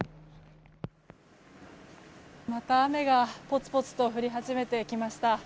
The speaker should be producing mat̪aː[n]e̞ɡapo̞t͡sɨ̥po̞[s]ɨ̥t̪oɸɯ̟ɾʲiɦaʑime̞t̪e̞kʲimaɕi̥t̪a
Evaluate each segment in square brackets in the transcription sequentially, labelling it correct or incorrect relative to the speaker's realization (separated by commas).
incorrect, incorrect